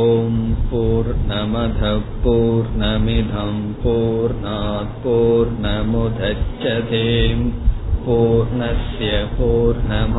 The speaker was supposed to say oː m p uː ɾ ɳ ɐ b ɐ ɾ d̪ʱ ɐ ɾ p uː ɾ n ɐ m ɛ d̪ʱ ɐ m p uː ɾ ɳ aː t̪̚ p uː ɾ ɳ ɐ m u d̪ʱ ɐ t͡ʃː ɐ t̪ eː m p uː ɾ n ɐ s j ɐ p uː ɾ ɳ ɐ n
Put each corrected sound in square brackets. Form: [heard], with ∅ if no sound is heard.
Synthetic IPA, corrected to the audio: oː m p uː ɾ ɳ ɐ [m] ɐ [∅] d̪ʱ ɐ [∅] p uː ɾ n ɐ m [i] d̪ʱ ɐ m p uː ɾ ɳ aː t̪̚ p uː ɾ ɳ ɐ m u d̪ʱ ɐ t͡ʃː ɐ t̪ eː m p uː ɾ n ɐ s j ɐ p uː ɾ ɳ ɐ [m]